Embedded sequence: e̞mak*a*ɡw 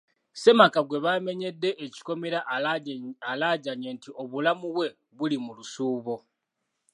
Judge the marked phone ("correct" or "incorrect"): correct